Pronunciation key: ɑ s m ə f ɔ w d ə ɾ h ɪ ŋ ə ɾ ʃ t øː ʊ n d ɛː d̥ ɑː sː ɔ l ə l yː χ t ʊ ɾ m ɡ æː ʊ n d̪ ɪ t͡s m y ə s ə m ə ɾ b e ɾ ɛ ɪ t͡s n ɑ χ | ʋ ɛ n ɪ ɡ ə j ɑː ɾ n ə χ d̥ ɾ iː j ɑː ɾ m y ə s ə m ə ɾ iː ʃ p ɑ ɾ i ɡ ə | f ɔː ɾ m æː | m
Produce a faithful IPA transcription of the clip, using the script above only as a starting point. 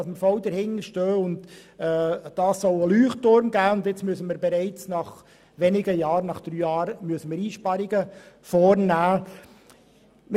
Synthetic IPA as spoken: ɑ s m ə f ɔ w d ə ɾ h ɪ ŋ ə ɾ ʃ t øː ʊ n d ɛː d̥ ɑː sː ɔ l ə l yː χ t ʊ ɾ m ɡ æː ʊ n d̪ ɪ t͡s m y ə s ə m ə ɾ b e ɾ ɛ ɪ t͡s n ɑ χ | ʋ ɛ n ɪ ɡ ə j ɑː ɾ n ɑ χ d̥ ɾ yː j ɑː ɾ m y ə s ə m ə ɾ iː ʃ p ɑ ɾ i ɡ ə | f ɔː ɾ n æː | m